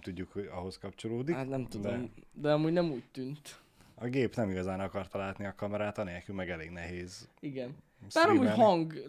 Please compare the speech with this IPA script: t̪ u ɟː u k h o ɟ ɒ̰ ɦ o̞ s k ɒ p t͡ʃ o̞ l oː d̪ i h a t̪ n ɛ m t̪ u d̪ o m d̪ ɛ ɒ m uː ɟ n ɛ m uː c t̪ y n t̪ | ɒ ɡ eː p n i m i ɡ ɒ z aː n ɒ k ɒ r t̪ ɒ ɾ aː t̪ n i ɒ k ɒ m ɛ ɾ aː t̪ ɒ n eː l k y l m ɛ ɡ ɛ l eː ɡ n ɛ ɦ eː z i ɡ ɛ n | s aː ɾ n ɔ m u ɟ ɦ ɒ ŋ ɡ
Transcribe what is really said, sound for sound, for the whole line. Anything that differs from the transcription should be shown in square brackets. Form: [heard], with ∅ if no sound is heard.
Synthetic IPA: t̪ u ɟː u k h o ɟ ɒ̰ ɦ o̞ s k ɒ p t͡ʃ o̞ l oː d̪ i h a t̪ n ɛ m t̪ u d̪ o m d̪ ɛ ɒ m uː ɟ n ɛ m uː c t̪ y n t̪ | ɒ ɡ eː p n [ɛ] m i ɡ ɒ z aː n ɒ k ɒ r t̪ ɒ [l] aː t̪ n i ɒ k ɒ m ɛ ɾ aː t̪ ɒ n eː l k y l m ɛ ɡ ɛ l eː ɡ n ɛ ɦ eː z i ɡ ɛ n | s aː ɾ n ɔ m u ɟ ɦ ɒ ŋ ɡ